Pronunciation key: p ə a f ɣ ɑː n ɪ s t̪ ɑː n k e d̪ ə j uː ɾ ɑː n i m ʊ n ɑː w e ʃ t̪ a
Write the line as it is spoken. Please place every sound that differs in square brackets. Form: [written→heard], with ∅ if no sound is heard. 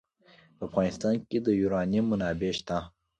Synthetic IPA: p ə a f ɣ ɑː n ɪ s t̪ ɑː n k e d̪ ə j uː ɾ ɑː n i m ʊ n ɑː [w→b] e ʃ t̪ a